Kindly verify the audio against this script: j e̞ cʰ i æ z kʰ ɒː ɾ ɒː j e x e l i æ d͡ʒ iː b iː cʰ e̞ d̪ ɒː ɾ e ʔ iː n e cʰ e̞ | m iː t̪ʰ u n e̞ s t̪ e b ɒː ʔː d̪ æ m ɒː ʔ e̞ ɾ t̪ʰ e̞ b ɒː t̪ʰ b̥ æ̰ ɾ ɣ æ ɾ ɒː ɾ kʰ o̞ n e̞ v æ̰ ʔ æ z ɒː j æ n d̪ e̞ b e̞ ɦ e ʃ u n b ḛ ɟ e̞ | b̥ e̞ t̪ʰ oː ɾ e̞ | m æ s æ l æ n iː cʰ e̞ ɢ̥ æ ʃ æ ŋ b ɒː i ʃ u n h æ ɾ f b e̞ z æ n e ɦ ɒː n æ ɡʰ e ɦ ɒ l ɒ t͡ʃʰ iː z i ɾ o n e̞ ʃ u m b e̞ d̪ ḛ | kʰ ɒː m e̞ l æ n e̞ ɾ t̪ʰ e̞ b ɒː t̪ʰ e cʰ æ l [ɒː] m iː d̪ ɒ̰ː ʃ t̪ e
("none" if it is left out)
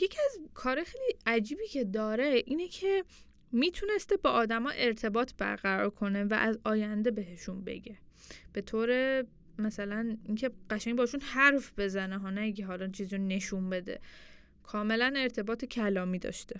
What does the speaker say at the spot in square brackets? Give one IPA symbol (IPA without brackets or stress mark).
ɒː